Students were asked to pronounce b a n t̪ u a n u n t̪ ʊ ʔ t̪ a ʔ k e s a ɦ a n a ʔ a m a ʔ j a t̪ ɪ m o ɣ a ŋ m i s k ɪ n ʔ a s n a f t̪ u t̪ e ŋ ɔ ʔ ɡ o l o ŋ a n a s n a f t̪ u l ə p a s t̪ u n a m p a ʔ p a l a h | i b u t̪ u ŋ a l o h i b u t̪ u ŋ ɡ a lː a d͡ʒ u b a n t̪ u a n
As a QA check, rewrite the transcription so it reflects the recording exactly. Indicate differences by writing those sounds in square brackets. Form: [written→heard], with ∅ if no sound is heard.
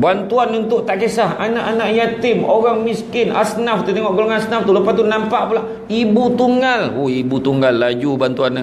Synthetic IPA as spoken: b a n t̪ u a n u n t̪ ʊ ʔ t̪ a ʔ k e s a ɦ a n a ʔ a [m→n] a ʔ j a t̪ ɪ m o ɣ a ŋ m i s k ɪ n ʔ a s n a f t̪ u t̪ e ŋ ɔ ʔ ɡ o l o ŋ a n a s n a f t̪ u l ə p a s t̪ u n a m p a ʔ p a l a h | i b u t̪ u ŋ a l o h i b u t̪ u ŋ ɡ a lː a d͡ʒ u b a n t̪ u a n